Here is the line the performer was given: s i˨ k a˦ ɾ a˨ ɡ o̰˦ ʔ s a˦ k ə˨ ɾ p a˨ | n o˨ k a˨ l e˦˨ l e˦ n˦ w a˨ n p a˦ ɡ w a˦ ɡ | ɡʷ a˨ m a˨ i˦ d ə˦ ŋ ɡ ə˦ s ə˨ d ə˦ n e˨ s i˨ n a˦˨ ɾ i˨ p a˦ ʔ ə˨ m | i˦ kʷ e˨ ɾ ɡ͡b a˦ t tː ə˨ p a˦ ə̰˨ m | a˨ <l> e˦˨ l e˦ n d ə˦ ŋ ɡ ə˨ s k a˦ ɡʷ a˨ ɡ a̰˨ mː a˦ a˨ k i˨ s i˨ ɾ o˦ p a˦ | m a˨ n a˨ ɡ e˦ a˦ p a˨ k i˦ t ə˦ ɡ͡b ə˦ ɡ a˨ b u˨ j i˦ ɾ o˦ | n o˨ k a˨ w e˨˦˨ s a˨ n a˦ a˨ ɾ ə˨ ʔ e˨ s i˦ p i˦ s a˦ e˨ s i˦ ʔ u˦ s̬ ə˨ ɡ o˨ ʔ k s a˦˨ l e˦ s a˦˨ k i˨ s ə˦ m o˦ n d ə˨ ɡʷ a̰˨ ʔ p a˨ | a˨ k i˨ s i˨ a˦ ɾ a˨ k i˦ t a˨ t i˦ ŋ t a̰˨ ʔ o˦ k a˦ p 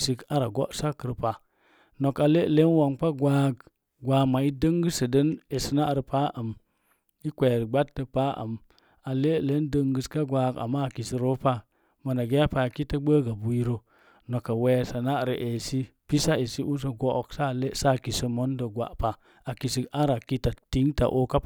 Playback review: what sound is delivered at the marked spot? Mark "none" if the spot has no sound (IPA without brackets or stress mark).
l